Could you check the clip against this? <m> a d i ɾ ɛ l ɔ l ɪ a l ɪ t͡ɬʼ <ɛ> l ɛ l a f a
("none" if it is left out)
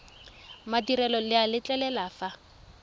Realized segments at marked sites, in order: m, ɛ

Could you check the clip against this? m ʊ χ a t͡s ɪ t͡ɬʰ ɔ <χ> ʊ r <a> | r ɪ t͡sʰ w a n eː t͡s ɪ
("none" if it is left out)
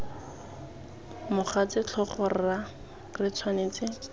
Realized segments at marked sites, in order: χ, a

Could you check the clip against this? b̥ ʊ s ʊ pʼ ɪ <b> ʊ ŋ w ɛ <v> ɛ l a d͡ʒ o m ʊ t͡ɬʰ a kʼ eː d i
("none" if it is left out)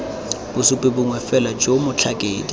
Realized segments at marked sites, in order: b, f

